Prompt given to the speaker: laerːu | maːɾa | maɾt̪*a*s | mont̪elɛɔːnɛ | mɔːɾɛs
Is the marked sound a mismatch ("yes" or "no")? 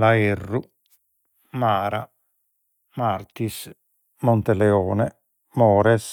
yes